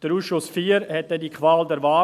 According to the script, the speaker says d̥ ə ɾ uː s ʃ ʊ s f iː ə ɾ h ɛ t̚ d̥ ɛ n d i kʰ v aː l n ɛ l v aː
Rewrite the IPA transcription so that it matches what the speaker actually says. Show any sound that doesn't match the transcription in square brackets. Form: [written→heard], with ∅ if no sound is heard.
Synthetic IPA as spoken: d̥ ə ɾ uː s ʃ ʊ s f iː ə ɾ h ɛ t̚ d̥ ɛ n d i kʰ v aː l [n→d] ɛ [l→ɾ] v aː

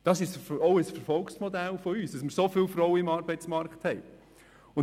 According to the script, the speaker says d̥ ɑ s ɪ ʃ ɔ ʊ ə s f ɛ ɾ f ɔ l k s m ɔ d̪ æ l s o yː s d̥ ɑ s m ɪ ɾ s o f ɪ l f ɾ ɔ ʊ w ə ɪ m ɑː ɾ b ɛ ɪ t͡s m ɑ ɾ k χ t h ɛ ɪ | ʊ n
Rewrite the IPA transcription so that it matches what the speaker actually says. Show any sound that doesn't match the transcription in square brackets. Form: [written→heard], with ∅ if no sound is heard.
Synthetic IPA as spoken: d̥ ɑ s ɪ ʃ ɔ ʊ ə s f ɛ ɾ f ɔ l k s m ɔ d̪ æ l [s→f] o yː s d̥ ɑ s m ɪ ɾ s o f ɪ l f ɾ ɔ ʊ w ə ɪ m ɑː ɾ b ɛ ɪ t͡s m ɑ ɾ k χ t h ɛ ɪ | ʊ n

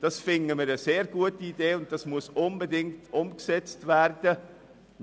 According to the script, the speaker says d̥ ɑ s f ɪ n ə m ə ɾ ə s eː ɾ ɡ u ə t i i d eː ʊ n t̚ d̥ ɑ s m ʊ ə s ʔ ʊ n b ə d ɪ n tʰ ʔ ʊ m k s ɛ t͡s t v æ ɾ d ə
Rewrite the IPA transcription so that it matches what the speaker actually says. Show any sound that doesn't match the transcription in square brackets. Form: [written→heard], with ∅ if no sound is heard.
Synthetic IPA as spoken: d̥ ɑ s f ɪ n ə m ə ɾ ə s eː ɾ ɡ u ə t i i d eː ʊ n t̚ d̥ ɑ s m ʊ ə s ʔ ʊ n b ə d ɪ [n→ŋ] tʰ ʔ ʊ m k s ɛ t͡s t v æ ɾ d ə

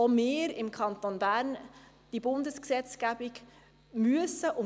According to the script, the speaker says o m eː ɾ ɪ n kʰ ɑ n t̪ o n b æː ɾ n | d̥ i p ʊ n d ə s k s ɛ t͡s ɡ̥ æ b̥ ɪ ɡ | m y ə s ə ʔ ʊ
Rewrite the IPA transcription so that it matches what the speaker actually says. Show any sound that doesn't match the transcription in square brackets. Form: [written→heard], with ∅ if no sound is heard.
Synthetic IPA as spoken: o m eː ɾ ɪ [n→m] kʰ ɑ n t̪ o n b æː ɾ n | d̥ i [p→b] ʊ n d ə s k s ɛ t͡s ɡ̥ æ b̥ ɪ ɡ | m y ə s ə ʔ ʊ

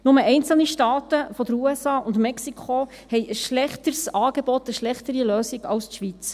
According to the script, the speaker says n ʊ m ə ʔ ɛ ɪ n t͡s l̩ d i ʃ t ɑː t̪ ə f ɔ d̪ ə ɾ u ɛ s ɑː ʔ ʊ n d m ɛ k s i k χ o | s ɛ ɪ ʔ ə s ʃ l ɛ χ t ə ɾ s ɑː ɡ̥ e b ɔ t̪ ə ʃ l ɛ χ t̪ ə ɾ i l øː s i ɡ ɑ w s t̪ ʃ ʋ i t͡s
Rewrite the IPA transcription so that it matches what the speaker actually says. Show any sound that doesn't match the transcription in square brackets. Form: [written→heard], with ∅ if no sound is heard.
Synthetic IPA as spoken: n ʊ m ə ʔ ɛ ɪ n t͡s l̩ [d→n] i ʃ t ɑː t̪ ə f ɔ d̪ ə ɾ u ɛ s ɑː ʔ ʊ n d m ɛ k s i k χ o | [s→h] ɛ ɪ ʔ ə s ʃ l ɛ χ t ə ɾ s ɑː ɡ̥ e b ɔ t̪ ə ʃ l ɛ χ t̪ ə ɾ i l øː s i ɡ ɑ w s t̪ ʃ ʋ i t͡s

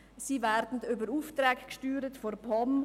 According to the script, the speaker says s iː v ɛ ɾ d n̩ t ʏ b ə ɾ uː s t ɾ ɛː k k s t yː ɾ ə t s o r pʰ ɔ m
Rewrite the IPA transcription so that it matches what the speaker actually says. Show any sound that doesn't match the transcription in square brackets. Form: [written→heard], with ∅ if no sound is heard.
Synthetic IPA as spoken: s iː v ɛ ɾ d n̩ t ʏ b ə ɾ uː [s→f] t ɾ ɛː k k [s→ʃ] t yː ɾ ə t [s→f] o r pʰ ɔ m

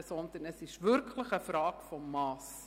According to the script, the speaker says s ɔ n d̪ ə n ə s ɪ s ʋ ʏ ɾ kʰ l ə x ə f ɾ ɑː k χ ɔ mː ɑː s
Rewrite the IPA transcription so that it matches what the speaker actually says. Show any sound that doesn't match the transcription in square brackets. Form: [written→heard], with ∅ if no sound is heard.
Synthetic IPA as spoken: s ɔ n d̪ ə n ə s ɪ [s→ʃ] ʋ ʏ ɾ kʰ l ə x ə f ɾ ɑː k [χ→f] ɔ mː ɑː s

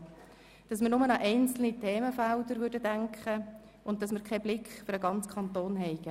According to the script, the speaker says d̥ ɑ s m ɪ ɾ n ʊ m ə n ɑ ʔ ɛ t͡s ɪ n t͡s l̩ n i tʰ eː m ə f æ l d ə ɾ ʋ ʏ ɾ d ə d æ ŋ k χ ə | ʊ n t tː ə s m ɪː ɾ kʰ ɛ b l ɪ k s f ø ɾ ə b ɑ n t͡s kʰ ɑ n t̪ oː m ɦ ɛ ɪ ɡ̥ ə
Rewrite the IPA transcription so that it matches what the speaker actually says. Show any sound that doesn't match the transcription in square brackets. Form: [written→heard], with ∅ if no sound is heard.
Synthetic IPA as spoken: d̥ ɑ s m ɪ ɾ n ʊ m ə n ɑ ʔ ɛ [t͡s→∅] ɪ n t͡s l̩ n i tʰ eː m ə f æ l d ə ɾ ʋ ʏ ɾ d ə d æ ŋ k χ ə | ʊ n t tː [ə→ɑ] s m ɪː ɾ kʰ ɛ b l ɪ k [s→χ] f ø ɾ ə [b→ɡ] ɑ n t͡s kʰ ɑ n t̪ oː [m→n] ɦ ɛ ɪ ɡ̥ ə

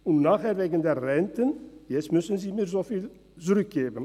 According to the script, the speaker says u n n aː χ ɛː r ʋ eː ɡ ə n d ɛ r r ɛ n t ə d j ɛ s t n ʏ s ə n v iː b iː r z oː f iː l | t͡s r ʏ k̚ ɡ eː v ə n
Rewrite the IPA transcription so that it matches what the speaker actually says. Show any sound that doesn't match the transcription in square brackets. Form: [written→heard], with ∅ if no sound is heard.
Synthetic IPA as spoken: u n n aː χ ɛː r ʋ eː ɡ ə n d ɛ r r ɛ n t ə [d→n] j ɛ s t [n→m] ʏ s ə n [v→z] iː [b→m] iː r z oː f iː l | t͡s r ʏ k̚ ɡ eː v ə n

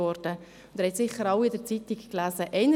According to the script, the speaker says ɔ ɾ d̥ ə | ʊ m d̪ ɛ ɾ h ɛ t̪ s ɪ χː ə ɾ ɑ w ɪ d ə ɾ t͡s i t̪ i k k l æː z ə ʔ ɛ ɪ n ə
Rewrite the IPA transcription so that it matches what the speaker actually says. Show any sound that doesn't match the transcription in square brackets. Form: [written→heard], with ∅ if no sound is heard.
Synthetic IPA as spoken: ɔ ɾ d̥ ə | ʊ [m→n] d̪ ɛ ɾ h ɛ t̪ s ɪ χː ə ɾ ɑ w ɪ d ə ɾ t͡s i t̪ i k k l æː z ə ʔ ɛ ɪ n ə

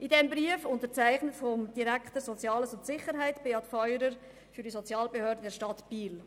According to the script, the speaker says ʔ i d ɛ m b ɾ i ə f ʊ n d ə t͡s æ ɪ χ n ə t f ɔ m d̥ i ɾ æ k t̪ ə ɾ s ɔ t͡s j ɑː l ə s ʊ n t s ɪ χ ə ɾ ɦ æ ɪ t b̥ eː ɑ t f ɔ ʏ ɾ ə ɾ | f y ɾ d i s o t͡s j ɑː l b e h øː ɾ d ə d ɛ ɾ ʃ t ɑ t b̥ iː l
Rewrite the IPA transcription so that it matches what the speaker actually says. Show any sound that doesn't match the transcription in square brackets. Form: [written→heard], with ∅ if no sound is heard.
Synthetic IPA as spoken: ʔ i d ɛ m b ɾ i ə f ʊ n [d→t] ə t͡s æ ɪ χ n ə t f ɔ m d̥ i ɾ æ k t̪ ə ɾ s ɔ t͡s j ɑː l ə s ʊ n t s ɪ χ ə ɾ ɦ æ ɪ t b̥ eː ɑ t f ɔ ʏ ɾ ə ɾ | f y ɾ d i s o t͡s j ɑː l b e h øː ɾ d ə d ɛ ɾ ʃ t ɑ t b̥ iː l

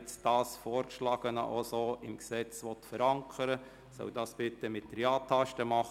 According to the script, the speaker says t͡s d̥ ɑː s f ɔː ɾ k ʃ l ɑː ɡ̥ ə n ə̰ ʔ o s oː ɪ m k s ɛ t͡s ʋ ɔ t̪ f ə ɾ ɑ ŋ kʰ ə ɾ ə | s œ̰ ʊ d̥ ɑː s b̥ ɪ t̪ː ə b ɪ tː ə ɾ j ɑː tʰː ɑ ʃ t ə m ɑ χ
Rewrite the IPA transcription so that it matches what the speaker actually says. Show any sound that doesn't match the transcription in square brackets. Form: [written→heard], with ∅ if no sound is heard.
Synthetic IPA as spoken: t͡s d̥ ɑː s f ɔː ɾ k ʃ l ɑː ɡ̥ ə n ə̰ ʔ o s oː ɪ m k s ɛ t͡s ʋ ɔ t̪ f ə ɾ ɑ ŋ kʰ ə ɾ ə | s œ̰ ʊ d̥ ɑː s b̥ ɪ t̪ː ə [b→m] ɪ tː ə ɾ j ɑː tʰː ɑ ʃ t ə m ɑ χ

